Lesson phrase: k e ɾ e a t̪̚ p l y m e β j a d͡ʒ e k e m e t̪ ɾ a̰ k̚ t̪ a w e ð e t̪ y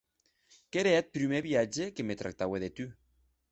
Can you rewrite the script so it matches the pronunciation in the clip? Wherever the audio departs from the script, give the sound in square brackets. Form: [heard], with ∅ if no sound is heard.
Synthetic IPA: k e ɾ e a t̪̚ p [ɾ] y m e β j a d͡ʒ e k e m e t̪ ɾ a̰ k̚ t̪ a w e ð e t̪ y